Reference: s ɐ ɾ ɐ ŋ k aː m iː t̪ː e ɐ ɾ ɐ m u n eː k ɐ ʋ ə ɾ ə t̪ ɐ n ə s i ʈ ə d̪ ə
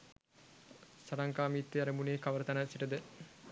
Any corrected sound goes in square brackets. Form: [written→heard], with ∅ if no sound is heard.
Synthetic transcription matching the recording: s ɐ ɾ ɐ ŋ k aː m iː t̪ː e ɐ ɾ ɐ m u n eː k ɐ ʋ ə ɾ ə t̪ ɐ n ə s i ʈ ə d̪ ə